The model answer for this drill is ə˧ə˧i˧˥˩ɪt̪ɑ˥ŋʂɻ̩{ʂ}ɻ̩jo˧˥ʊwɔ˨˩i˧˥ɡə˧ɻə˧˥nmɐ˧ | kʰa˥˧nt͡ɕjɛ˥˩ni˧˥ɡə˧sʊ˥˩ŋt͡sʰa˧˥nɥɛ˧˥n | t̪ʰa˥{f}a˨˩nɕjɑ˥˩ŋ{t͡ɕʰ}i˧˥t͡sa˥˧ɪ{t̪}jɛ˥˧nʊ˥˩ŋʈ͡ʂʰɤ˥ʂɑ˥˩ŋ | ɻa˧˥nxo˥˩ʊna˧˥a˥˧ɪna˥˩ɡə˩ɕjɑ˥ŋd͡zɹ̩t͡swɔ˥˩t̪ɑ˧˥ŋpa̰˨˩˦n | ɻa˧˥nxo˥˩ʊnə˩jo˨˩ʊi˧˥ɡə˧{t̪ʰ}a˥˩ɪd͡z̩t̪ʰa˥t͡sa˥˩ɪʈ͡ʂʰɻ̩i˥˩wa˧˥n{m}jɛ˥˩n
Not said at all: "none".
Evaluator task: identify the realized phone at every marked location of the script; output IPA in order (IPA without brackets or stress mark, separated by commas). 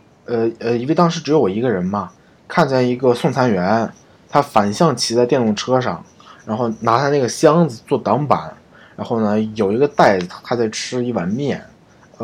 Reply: ʈ͡ʂ, f, t͡ɕʰ, t̪, t̪, m